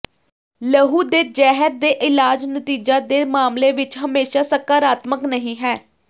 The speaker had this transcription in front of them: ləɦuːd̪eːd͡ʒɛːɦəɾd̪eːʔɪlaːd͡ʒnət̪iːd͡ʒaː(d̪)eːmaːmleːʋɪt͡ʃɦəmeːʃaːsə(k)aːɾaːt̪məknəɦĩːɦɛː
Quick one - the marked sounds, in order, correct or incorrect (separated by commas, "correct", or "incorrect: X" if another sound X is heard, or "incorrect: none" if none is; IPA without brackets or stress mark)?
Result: correct, correct